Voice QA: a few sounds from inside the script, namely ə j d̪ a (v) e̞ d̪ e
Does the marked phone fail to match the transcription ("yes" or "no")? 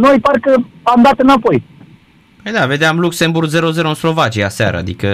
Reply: no